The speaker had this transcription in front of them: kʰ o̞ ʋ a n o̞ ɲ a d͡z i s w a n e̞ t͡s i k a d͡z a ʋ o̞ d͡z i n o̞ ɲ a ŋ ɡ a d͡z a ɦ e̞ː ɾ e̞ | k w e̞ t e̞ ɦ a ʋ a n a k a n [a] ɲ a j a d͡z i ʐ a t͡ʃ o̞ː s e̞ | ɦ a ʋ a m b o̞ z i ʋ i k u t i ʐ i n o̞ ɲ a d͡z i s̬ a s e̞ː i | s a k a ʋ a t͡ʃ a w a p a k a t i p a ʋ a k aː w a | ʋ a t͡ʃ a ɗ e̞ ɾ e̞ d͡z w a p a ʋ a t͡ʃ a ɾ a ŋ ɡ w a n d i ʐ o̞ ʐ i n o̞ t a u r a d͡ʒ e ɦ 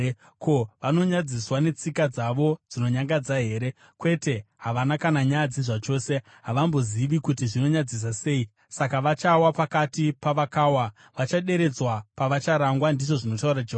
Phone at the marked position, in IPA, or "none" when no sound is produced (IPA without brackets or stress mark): a